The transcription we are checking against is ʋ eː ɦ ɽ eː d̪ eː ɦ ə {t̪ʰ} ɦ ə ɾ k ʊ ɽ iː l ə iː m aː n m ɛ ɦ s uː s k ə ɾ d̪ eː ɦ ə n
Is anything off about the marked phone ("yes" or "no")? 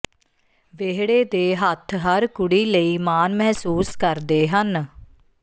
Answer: no